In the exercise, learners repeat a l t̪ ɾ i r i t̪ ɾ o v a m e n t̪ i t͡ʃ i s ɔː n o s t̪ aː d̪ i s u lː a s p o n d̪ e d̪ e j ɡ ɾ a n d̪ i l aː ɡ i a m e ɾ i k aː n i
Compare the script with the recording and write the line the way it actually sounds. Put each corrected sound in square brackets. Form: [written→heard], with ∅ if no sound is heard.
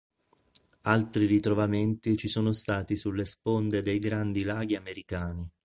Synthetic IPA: a l t̪ ɾ i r i t̪ ɾ o v a m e n t̪ i t͡ʃ i s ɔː n o s t̪ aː [d̪→t̪] i s u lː [a→e] s p o n d̪ e d̪ e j ɡ ɾ a n d̪ i l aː ɡ i a m e ɾ i k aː n i